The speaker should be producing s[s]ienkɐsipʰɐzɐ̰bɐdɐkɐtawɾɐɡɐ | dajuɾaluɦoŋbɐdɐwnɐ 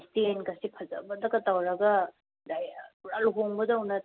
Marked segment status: incorrect: t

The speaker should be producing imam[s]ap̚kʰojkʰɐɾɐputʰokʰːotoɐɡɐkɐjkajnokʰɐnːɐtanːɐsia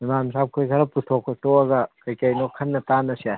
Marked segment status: correct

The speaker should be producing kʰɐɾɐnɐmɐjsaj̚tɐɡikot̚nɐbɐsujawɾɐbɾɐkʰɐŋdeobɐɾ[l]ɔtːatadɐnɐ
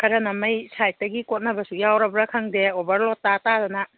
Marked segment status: correct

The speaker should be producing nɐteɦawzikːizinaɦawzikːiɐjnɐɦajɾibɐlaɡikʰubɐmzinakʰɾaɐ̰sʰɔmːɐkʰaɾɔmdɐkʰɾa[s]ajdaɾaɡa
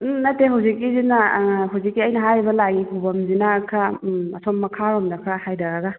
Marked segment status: incorrect: h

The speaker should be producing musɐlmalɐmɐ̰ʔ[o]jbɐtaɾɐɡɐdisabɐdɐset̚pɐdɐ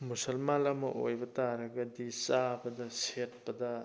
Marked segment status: correct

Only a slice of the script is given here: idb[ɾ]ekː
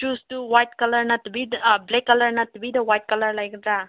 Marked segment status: incorrect: l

